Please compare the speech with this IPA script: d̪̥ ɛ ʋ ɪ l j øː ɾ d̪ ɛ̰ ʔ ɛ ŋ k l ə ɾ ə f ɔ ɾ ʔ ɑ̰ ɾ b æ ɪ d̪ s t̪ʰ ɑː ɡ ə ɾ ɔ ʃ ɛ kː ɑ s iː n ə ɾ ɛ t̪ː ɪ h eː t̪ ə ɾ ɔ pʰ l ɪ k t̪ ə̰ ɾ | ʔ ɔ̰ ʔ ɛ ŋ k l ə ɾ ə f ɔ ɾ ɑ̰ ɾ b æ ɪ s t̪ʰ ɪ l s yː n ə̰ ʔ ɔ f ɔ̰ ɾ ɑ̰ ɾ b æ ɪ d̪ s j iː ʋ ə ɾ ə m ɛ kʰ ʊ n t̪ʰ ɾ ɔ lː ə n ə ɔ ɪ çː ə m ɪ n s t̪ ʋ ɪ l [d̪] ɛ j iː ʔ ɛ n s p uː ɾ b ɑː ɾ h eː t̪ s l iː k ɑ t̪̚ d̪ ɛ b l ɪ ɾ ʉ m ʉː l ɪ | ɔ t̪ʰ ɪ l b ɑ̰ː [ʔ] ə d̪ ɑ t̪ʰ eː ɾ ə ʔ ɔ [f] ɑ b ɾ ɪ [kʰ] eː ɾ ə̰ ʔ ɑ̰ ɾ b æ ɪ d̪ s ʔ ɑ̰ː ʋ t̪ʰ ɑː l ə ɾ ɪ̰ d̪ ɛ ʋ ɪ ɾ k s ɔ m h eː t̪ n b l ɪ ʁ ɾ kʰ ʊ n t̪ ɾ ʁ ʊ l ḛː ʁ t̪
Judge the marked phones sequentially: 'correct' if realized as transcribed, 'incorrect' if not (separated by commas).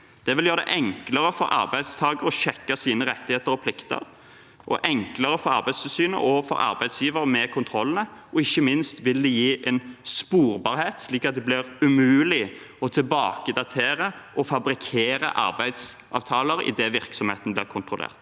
correct, incorrect, correct, correct